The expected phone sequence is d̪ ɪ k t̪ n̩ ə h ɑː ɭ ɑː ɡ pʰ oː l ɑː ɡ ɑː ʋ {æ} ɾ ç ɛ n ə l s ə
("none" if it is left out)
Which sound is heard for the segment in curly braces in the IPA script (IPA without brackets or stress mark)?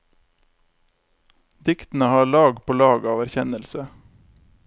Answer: æ